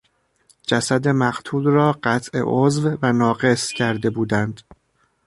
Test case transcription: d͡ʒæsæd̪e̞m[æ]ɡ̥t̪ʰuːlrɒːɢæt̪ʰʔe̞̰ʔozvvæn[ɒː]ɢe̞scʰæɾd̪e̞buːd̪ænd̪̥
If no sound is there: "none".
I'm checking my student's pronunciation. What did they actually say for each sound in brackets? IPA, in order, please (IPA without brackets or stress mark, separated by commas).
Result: æ, ɒː